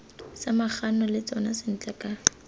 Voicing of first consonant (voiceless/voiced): voiceless